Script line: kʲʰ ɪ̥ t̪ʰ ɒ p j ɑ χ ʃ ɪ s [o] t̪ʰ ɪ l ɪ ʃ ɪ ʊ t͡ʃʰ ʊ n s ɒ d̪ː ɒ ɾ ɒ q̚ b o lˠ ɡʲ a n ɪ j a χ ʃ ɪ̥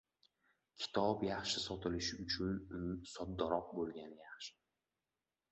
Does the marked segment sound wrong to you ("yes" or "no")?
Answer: yes